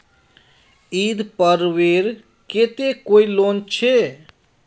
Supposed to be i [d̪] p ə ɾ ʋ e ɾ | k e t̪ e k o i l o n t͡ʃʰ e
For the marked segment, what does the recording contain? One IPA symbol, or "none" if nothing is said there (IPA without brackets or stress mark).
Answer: d̪